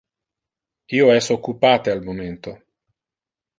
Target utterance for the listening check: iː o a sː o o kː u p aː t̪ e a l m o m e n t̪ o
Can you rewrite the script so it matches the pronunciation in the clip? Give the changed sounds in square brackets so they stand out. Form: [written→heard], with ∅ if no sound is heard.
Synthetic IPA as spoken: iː o [a→ɛ] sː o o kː u p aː t̪ e a l m o m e n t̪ o